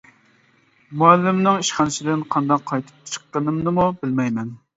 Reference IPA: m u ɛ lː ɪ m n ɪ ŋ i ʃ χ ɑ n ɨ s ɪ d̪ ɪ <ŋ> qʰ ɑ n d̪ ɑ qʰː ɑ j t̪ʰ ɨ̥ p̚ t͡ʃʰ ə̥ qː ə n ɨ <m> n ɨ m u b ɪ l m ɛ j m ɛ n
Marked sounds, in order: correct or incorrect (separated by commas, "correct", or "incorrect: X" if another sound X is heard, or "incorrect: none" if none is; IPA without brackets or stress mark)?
incorrect: n, correct